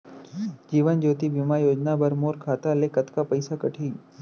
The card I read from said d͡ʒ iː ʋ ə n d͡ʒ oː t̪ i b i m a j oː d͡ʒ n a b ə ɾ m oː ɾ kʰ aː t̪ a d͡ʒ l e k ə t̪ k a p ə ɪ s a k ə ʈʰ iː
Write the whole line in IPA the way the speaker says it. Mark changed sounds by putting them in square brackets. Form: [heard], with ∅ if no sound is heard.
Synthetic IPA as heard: d͡ʒ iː ʋ ə n d͡ʒ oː t̪ i b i m a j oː d͡ʒ n a b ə ɾ m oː ɾ kʰ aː t̪ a [∅] l e k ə t̪ k a p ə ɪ s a k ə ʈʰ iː